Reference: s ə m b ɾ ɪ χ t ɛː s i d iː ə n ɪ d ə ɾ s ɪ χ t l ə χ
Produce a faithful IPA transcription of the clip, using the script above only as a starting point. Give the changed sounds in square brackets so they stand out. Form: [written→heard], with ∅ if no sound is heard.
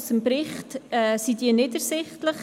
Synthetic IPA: s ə m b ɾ ɪ χ t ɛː s i d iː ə n ɪ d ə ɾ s ɪ χ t l ə χ